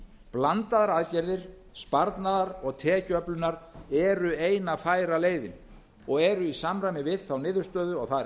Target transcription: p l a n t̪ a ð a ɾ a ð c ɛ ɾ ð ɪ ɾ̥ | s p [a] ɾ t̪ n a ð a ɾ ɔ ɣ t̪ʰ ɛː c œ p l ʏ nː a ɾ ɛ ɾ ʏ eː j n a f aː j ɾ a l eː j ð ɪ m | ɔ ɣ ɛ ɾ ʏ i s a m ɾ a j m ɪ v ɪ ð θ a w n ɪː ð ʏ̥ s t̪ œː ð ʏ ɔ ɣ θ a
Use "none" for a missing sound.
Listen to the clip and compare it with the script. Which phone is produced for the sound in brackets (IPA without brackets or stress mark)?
a